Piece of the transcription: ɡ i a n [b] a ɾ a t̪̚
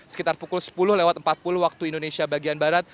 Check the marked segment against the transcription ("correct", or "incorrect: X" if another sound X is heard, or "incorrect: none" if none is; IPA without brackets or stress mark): correct